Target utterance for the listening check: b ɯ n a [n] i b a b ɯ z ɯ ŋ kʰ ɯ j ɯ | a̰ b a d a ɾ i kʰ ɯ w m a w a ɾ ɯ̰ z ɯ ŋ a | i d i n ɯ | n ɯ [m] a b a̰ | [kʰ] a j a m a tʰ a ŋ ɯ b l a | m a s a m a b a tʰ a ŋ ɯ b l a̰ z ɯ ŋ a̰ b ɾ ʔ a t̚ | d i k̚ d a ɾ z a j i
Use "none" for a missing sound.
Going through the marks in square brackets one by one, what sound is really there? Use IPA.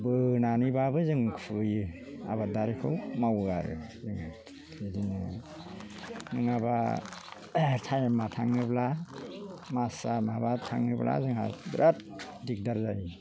n, ŋ, tʰ

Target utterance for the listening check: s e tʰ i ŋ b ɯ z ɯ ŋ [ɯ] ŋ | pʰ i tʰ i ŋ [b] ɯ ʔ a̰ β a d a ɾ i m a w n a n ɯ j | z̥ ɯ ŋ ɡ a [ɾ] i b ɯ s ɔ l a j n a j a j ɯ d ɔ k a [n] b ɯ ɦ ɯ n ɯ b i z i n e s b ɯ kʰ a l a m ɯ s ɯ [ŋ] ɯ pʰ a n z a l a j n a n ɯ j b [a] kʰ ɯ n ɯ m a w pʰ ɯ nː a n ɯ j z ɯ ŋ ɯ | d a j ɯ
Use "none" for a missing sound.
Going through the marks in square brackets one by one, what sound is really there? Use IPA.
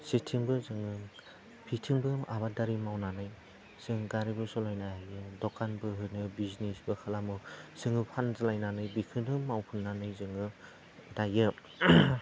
ɯ, b, ɾ, n, ŋ, i

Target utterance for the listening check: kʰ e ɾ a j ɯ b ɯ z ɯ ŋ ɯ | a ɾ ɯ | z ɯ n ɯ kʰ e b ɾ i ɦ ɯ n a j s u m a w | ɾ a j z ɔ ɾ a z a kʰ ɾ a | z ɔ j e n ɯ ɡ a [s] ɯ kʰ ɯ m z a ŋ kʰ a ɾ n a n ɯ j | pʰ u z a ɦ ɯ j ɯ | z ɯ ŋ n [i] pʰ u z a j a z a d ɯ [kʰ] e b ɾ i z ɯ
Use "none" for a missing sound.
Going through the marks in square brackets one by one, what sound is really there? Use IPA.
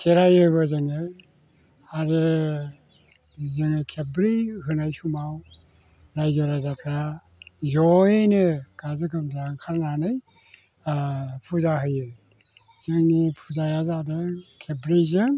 z, i, kʰ

